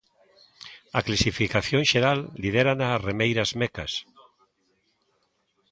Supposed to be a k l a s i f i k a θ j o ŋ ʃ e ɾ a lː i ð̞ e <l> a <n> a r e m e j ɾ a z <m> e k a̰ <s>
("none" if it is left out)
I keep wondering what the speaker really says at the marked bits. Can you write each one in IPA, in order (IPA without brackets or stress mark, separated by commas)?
ɾ, n, m, s